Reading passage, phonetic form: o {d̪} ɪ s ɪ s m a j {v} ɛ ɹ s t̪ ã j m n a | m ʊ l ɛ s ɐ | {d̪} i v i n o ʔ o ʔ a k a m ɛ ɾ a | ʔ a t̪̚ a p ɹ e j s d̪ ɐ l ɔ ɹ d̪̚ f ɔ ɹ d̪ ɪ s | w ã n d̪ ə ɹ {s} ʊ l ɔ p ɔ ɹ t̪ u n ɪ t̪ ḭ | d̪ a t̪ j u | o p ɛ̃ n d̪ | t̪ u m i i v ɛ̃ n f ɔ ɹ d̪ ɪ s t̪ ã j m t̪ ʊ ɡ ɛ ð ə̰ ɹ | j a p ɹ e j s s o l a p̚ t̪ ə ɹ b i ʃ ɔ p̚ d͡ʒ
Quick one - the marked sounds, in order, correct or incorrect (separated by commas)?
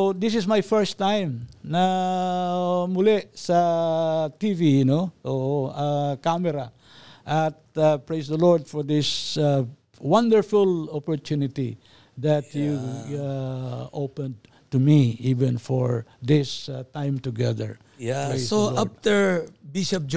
correct, incorrect, incorrect, incorrect